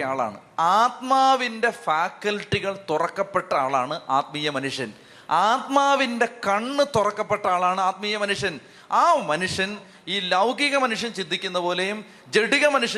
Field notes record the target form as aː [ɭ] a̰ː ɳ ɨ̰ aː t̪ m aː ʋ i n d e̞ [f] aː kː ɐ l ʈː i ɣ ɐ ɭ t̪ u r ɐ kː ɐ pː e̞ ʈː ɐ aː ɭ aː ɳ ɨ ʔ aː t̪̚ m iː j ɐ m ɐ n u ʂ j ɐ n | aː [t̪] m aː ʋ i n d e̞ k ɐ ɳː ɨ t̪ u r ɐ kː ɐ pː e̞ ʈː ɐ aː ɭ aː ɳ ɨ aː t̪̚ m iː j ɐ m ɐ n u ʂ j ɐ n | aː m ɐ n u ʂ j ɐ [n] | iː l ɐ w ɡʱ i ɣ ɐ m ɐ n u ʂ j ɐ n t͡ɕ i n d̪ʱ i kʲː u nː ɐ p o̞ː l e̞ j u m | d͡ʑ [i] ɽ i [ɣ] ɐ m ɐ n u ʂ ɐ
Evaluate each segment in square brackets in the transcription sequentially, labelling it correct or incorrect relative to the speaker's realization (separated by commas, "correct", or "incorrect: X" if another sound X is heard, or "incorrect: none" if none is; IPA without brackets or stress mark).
correct, correct, correct, correct, incorrect: e, correct